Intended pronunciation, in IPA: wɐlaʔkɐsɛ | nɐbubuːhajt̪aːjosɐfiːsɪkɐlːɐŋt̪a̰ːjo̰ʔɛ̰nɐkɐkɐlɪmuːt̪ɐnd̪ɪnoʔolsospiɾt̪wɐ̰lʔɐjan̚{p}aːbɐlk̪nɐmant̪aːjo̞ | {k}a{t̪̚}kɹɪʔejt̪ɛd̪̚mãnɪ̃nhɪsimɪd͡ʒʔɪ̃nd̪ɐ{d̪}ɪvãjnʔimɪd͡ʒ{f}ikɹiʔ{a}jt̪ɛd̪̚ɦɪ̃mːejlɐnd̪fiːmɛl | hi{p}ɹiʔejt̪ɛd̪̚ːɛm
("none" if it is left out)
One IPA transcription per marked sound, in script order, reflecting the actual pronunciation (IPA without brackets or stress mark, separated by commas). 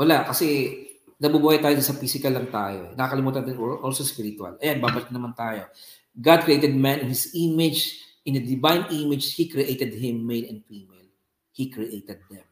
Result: b, ɡ, d̪̚, d̪, h, e, k